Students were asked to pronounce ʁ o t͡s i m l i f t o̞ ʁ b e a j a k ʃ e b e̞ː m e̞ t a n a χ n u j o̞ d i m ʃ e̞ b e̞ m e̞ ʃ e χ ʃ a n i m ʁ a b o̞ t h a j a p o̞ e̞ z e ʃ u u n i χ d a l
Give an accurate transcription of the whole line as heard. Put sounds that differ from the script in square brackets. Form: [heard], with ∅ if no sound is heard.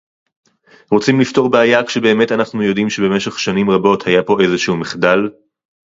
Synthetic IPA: ʁ o t͡s i m l i f t o̞ ʁ b e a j a k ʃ e b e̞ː m e̞ t a n a χ n u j o̞ d i m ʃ e̞ b e̞ m e̞ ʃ e χ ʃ a n i m ʁ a b o̞ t h a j a p o̞ e̞ z e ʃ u u [m] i χ d a l